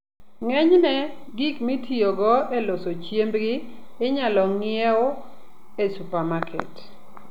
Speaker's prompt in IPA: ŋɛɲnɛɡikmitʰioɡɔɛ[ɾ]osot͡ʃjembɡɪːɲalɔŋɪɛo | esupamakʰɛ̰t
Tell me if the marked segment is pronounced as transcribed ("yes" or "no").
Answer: no